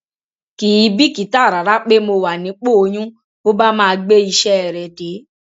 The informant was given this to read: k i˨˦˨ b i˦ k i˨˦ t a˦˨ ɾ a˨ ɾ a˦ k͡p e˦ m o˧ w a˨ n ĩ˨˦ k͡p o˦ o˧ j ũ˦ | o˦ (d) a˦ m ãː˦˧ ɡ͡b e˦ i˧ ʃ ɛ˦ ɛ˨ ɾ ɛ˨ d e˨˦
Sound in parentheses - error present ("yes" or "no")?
yes